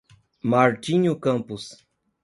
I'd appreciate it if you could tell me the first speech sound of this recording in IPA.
m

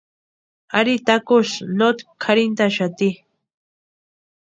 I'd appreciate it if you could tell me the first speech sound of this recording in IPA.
a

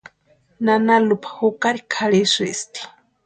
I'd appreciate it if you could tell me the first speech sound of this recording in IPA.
n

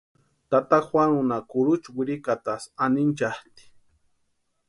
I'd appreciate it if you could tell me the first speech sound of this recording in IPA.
t̪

